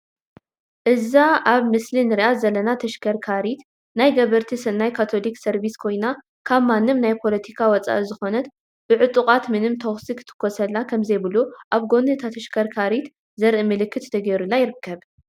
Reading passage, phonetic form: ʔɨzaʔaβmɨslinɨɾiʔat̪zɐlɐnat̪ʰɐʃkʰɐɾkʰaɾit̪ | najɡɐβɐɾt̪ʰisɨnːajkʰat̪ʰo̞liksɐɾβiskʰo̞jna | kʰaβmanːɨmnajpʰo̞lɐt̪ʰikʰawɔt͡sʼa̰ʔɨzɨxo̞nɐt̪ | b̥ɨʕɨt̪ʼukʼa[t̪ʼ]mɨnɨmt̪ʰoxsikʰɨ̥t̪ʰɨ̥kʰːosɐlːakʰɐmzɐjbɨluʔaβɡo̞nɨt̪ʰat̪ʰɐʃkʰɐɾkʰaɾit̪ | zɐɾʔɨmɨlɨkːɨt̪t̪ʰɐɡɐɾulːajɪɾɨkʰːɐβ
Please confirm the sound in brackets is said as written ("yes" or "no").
no